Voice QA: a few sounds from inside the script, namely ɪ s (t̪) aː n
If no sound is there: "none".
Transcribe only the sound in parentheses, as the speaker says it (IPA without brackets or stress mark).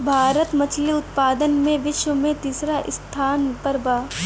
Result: t̪ʰ